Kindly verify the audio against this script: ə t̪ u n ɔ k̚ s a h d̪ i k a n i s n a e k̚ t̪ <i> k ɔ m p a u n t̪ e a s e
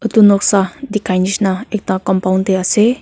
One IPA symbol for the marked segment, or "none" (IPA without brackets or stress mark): a